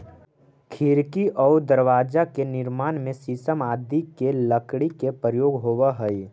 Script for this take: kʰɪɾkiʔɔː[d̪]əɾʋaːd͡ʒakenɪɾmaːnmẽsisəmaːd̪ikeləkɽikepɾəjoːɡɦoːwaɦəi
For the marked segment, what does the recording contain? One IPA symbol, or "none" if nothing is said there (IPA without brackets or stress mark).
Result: d̪